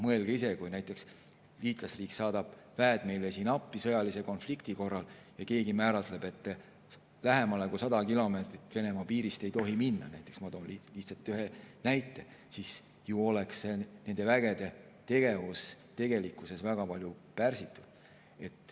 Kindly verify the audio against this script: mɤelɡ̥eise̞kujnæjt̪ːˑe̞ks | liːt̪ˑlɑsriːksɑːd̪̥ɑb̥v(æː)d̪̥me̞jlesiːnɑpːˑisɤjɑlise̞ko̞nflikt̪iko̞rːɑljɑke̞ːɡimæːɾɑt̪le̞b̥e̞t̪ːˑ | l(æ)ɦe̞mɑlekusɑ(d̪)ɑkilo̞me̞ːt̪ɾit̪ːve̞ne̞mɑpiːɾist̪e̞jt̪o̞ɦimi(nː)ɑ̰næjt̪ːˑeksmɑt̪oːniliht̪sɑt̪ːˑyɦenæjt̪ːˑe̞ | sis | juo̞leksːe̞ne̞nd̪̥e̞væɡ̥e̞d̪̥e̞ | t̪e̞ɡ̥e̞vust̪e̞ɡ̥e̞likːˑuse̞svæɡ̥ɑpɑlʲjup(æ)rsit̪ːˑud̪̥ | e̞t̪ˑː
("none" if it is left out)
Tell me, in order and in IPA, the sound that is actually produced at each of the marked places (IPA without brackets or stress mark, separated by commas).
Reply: æː, æ, d̪, nː, æ